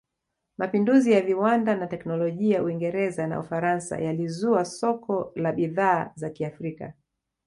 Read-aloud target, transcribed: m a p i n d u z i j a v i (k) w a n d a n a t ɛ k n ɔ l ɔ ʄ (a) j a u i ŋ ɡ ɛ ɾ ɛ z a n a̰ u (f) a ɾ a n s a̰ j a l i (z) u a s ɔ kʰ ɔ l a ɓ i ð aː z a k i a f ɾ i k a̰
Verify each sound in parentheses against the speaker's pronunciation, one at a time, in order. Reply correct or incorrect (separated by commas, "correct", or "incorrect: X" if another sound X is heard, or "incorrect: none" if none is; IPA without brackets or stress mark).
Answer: incorrect: none, incorrect: i, correct, correct